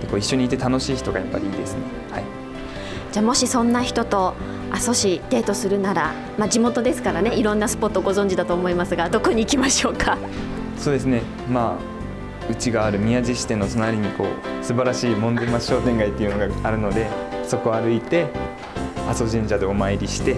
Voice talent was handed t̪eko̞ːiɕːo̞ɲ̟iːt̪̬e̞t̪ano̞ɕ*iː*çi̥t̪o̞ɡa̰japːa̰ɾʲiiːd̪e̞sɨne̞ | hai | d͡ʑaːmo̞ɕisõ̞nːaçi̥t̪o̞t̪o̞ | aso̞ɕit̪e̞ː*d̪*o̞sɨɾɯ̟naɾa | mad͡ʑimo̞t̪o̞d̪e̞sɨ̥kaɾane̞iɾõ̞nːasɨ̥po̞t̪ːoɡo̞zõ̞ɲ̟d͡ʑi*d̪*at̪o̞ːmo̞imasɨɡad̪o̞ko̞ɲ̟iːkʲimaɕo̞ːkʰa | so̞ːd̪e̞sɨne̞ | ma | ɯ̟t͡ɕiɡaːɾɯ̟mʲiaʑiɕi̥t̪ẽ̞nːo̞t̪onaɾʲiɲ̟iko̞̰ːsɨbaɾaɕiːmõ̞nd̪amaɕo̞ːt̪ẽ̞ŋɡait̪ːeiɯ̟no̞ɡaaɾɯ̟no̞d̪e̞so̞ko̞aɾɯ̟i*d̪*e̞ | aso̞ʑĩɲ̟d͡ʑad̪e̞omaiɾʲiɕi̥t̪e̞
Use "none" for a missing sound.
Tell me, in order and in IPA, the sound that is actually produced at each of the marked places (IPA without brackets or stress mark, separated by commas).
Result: iː, t̪, d̪, t̪